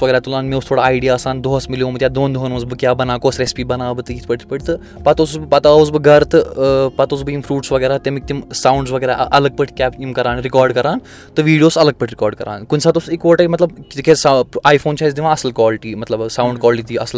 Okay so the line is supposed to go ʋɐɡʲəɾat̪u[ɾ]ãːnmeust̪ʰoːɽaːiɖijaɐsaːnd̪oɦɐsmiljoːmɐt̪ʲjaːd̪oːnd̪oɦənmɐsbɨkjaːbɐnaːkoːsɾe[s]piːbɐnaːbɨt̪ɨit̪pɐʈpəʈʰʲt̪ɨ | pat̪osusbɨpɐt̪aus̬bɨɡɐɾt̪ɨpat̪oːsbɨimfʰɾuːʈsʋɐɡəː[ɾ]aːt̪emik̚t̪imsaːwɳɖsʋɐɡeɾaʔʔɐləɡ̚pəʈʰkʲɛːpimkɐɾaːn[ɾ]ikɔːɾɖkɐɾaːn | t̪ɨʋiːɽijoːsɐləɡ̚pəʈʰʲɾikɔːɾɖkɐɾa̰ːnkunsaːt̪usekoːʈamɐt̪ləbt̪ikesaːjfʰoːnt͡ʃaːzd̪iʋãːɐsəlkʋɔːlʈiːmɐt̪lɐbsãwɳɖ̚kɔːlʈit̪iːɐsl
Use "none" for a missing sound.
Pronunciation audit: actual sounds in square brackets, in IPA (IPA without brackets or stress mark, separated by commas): l, s, ɾ, ɾ